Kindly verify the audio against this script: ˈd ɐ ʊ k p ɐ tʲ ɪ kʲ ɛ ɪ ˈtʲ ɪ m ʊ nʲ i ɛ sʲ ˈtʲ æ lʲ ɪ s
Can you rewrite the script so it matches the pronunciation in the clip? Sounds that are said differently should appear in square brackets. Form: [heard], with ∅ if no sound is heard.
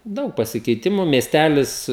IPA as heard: ˈd ɐ ʊ k p ɐ [sʲ] ɪ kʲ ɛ ɪ ˈtʲ ɪ m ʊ [mʲ] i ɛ sʲ ˈtʲ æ lʲ ɪ s